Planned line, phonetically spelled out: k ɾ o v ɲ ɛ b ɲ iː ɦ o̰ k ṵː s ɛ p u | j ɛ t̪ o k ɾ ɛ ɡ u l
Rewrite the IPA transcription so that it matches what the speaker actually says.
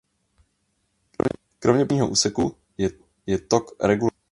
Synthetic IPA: k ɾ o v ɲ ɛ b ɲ iː ɦ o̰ ʔ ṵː s ɛ k u | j ɛ t̪ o k ɾ ɛ ɡ u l